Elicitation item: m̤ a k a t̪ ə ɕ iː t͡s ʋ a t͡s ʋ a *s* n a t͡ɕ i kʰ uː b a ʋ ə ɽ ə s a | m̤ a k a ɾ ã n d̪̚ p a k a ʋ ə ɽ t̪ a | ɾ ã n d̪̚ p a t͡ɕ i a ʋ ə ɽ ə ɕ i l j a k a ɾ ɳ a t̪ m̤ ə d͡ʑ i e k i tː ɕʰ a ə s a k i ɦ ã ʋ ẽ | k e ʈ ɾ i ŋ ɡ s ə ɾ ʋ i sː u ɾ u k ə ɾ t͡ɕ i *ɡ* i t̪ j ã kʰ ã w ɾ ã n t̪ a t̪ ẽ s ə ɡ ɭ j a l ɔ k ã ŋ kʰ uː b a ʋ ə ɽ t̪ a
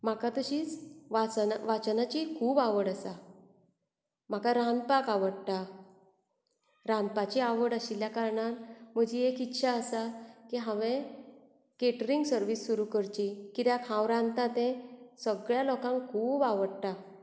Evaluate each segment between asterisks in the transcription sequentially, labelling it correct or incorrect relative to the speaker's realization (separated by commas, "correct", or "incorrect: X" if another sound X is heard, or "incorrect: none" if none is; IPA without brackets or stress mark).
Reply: incorrect: t͡s, incorrect: k